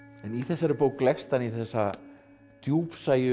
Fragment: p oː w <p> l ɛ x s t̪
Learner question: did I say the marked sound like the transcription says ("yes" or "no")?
no